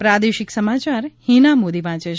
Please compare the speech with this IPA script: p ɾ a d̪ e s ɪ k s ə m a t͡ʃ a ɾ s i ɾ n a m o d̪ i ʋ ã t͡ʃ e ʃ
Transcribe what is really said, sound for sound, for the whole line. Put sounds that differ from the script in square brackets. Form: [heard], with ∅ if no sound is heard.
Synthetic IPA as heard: p ɾ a d̪ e [ʃ] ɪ k s ə m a t͡ʃ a ɾ [h] i [∅] n a m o d̪ i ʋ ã t͡ʃ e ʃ